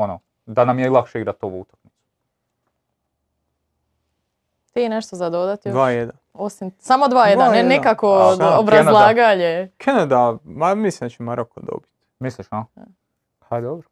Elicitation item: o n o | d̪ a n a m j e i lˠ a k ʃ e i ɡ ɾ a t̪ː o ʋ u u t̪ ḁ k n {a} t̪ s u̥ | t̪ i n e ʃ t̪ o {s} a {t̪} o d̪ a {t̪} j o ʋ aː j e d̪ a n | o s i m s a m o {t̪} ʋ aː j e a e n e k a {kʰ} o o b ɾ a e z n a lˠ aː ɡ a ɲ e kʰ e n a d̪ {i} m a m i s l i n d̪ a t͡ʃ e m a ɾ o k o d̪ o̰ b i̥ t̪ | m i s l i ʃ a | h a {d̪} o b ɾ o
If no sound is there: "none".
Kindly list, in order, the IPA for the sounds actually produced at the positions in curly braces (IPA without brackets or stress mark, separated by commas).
i, z, d̪, t̪, d̪, k, a, d̪